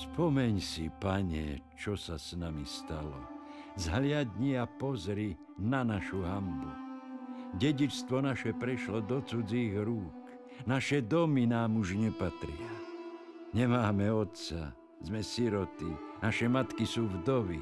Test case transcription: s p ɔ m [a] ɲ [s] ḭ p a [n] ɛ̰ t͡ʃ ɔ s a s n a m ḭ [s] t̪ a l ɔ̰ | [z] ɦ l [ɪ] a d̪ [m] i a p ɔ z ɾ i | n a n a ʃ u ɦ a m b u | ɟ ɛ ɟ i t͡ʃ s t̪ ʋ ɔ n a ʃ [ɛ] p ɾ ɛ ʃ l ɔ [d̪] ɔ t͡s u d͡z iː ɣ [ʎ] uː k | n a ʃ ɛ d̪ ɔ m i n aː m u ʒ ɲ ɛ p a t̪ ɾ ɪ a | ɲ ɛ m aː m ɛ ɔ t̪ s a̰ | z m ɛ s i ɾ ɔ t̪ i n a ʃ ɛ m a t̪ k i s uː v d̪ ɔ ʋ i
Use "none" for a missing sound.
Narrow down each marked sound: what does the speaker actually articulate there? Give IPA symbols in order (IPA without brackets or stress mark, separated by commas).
ɛ, s, ɲ, s, z, ɪ, ɲ, ɛ, d̪, ɾ